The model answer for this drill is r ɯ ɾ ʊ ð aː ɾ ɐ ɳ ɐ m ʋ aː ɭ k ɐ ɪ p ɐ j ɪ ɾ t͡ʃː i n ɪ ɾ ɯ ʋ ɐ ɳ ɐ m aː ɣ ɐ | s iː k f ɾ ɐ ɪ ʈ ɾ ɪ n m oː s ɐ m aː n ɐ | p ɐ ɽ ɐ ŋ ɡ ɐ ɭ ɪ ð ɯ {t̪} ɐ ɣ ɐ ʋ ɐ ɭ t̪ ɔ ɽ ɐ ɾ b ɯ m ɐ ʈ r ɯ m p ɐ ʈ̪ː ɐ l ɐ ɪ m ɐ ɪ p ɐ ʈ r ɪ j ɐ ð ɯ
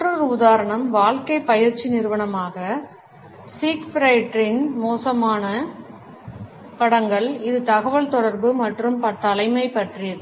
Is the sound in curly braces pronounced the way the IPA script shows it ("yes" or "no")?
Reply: yes